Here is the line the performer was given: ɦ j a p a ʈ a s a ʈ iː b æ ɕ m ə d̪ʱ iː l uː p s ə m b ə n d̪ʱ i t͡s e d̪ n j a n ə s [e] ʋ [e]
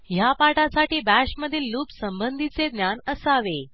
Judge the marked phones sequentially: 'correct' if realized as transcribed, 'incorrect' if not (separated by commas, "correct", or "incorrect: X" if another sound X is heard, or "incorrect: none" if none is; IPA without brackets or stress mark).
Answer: incorrect: a, correct